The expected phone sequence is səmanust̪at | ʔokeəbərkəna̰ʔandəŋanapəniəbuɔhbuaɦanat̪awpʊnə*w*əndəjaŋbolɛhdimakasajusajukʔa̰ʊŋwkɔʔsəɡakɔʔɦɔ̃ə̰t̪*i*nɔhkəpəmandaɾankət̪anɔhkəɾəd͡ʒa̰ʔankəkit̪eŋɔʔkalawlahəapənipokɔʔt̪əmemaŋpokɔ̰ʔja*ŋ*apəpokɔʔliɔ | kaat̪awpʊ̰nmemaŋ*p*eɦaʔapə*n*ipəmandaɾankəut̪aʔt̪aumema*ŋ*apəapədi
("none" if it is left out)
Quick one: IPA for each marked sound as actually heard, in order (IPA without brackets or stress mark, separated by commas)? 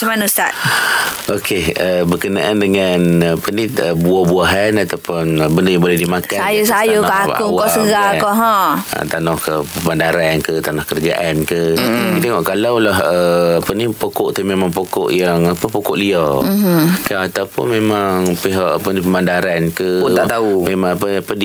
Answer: b, a, ŋ, p, n, ŋ